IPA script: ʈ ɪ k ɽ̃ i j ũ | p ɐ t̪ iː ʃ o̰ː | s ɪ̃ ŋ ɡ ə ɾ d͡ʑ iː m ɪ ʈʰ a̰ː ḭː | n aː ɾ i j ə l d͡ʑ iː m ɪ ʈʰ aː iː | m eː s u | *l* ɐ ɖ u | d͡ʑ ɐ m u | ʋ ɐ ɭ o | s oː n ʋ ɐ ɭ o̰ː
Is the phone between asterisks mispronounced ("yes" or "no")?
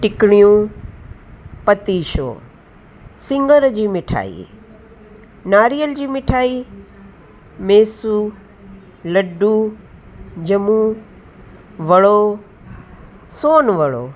no